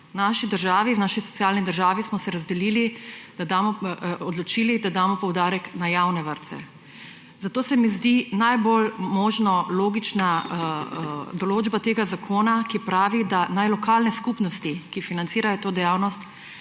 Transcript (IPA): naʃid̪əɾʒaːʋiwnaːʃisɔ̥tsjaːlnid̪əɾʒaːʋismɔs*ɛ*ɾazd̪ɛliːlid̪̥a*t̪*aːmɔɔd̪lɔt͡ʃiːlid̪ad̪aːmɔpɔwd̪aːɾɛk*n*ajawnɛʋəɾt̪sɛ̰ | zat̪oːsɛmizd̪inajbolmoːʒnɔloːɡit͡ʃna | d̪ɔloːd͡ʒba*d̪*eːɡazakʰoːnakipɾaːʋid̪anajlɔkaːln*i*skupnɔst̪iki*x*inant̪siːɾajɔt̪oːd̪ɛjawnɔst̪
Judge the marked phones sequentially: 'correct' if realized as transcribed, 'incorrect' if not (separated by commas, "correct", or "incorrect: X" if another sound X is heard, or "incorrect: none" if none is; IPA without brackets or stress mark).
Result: correct, incorrect: d̪, correct, incorrect: t̪, incorrect: ɛ, incorrect: f